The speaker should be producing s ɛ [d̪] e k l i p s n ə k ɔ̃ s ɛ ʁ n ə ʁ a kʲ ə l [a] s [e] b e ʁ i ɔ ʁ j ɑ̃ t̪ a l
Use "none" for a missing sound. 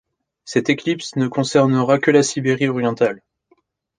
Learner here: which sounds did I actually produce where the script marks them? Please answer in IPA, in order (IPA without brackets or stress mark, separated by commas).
t̪, a, i